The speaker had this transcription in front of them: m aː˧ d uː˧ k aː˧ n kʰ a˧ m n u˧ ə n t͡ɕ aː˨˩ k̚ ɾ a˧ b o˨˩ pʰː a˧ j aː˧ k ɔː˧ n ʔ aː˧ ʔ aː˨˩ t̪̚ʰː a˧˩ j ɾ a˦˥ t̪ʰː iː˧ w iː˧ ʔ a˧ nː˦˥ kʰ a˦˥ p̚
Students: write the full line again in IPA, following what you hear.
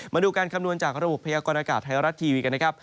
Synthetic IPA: m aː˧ d uː˧ k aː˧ n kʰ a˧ m n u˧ ə n t͡ɕ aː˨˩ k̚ ɾ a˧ b o˨˩ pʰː a˧ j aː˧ k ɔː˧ n ʔ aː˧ k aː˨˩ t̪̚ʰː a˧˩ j ɾ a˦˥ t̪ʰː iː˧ w iː˧ k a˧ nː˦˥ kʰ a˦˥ p̚